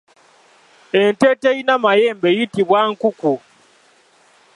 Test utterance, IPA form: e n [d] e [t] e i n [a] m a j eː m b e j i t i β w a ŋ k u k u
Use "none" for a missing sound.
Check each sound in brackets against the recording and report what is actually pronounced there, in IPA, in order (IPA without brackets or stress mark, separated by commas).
t, t, a